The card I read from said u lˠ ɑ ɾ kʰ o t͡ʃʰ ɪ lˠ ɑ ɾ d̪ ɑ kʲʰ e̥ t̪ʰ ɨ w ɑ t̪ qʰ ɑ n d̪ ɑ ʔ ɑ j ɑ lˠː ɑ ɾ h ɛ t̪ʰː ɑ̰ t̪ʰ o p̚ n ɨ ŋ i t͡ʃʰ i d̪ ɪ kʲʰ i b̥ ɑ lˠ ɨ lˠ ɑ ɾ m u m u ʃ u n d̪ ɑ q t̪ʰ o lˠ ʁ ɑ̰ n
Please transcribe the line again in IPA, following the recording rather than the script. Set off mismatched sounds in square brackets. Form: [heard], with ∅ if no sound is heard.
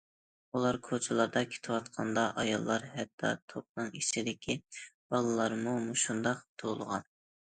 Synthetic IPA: u lˠ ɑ ɾ kʰ o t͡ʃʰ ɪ lˠ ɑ ɾ d̪ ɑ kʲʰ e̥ t̪ʰ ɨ w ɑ t̪ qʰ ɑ n d̪ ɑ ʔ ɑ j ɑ lˠː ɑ ɾ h ɛ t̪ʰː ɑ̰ t̪ʰ o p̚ n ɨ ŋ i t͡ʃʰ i d̪ ɪ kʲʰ i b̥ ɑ lˠ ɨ lˠ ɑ ɾ m u m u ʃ u n d̪ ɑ q t̪ʰ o lˠ ʁ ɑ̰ n

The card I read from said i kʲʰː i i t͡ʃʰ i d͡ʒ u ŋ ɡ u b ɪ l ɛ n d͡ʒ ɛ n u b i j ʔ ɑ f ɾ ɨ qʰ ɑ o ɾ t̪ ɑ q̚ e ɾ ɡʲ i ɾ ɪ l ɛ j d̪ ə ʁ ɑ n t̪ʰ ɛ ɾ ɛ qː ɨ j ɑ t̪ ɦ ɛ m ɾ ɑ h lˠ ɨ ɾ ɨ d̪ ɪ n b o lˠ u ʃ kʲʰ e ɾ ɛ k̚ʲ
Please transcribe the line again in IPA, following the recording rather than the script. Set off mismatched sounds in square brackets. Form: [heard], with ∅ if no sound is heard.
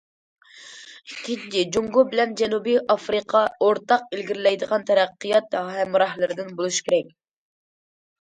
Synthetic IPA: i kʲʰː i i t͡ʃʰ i d͡ʒ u ŋ ɡ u b ɪ l ɛ n d͡ʒ ɛ n u b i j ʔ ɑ f ɾ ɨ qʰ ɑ o ɾ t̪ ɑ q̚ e [l] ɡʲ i ɾ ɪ l ɛ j d̪ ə ʁ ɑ n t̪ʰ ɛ ɾ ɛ qː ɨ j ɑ t̪ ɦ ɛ m ɾ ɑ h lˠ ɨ ɾ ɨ d̪ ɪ n b o lˠ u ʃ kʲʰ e ɾ ɛ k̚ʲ

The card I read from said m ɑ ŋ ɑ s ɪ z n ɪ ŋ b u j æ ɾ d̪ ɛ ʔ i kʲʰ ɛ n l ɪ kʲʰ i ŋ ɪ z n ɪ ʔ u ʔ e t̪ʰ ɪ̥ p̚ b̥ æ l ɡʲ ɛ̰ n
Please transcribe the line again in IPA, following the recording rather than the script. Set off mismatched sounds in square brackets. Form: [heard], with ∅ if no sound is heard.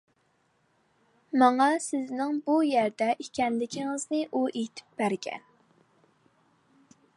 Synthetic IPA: m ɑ ŋ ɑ s ɪ z n ɪ ŋ b u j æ ɾ d̪ ɛ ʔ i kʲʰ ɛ n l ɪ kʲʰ i ŋ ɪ z n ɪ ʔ u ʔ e t̪ʰ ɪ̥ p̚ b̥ æ [ɾ] ɡʲ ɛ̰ n

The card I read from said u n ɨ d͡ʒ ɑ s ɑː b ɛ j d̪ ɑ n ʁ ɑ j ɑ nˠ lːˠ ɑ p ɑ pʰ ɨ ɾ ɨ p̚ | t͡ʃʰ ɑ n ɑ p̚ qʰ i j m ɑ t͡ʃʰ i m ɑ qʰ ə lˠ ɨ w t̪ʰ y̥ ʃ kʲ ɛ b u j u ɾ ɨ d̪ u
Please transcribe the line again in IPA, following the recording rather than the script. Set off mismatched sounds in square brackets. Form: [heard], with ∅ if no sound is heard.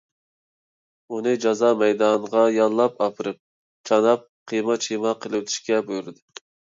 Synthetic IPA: u n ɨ d͡ʒ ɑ [z] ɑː [m] ɛ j d̪ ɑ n ʁ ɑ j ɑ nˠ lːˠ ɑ p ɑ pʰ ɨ ɾ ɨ p̚ | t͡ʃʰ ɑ n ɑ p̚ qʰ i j m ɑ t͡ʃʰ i m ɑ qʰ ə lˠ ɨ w t̪ʰ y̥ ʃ kʲ ɛ b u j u ɾ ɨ d̪ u

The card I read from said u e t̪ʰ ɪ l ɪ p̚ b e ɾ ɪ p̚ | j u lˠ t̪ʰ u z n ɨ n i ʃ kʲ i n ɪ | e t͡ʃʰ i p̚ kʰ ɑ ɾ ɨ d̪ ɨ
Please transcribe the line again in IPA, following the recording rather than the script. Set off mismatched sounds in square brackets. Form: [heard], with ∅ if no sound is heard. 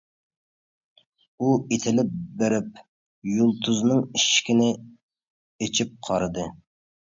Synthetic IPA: u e t̪ʰ ɪ l ɪ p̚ b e ɾ ɪ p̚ | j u lˠ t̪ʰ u z n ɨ [ŋ] i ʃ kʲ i n ɪ | e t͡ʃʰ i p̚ [qʰ] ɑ ɾ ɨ d̪ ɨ

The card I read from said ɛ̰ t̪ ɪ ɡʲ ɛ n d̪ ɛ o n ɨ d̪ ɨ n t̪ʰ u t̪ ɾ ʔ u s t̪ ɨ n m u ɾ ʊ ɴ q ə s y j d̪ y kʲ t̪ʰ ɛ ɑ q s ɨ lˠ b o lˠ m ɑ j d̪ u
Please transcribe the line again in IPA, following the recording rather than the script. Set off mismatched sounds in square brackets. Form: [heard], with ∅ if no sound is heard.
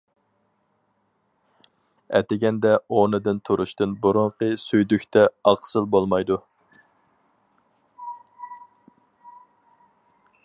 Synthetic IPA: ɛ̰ t̪ ɪ ɡʲ ɛ n d̪ ɛ o n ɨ d̪ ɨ n t̪ʰ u [∅] ɾ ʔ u [ʃ] t̪ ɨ n [b] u ɾ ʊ ɴ q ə s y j d̪ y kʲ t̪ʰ ɛ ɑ q s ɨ lˠ b o lˠ m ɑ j d̪ u

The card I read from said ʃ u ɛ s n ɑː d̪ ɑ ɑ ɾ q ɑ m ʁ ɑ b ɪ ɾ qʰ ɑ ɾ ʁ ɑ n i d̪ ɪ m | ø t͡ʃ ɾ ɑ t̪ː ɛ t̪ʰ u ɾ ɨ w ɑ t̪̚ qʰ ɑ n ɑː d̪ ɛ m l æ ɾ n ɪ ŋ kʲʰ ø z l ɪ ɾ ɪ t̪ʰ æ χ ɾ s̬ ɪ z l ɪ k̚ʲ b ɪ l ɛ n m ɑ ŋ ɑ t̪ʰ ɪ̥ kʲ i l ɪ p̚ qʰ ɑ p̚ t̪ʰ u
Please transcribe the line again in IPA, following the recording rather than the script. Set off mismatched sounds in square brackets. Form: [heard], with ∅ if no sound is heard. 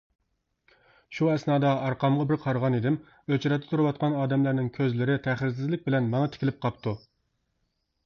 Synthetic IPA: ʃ u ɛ s n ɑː d̪ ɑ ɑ ɾ q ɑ m ʁ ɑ b ɪ ɾ qʰ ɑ ɾ ʁ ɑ n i d̪ ɪ m | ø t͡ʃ ɾ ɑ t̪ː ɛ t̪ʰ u ɾ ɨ w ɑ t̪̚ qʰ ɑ n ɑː d̪ ɛ m l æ ɾ n ɪ ŋ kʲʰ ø z l ɪ ɾ ɪ t̪ʰ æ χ ɾ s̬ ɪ z l ɪ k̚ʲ b ɪ l ɛ n m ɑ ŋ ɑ t̪ʰ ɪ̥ kʲ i l ɪ p̚ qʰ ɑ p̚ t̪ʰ u

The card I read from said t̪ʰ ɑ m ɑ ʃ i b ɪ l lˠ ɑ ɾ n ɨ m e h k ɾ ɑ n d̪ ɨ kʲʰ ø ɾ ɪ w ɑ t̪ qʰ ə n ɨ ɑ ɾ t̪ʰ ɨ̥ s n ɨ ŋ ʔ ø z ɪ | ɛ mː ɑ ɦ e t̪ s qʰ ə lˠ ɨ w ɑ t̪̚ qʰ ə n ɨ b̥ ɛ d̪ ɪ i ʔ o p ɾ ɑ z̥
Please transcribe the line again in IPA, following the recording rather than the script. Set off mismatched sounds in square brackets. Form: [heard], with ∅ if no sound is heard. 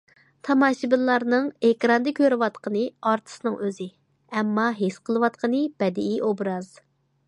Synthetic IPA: t̪ʰ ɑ m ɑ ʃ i b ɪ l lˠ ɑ ɾ n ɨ [ŋ] e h k ɾ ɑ n d̪ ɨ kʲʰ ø ɾ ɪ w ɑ t̪ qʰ ə n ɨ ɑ ɾ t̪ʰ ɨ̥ s n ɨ ŋ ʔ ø z ɪ | ɛ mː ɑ ɦ e [∅] s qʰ ə lˠ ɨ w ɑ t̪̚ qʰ ə n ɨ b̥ ɛ d̪ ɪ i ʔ o [b] ɾ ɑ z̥

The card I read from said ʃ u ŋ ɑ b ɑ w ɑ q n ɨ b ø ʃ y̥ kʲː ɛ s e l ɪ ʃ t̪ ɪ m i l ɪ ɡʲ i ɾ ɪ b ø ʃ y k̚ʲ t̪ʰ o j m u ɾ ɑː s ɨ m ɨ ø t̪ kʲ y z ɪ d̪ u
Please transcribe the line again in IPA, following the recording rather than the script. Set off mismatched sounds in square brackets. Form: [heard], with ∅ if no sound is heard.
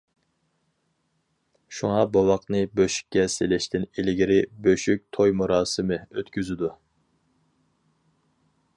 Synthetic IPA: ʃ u ŋ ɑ b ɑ w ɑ q n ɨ b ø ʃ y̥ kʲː ɛ s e l ɪ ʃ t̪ ɪ [n] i l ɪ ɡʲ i ɾ ɪ b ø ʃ y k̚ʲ t̪ʰ o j m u ɾ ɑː s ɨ m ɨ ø t̪ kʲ y z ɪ d̪ u

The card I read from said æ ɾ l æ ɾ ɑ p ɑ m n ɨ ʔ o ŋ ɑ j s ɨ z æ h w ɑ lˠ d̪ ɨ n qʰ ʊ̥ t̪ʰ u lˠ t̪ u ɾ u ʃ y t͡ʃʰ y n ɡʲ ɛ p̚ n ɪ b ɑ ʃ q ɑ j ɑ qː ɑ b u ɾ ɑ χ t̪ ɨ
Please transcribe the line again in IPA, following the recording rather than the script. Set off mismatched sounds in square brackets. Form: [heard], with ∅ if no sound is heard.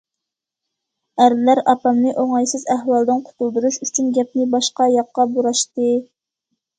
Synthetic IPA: æ ɾ l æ ɾ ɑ p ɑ m n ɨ ʔ o ŋ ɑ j s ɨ z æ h w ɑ lˠ d̪ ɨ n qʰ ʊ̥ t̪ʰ u lˠ [d̪] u ɾ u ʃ y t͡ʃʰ y n ɡʲ ɛ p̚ n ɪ b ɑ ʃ q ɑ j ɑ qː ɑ b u ɾ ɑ [ʃ] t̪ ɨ

